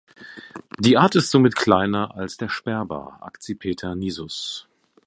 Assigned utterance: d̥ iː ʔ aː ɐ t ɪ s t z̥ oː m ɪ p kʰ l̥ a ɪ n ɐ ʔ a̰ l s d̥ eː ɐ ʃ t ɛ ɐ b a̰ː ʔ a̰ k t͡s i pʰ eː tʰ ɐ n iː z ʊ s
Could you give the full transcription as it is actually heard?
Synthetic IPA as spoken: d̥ iː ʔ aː ɐ t ɪ s t z̥ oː m ɪ t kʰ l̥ a ɪ n ɐ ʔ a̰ l s d̥ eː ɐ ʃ p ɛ ɐ b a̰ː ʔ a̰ k t͡s i pʰ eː tʰ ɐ n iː z ʊ s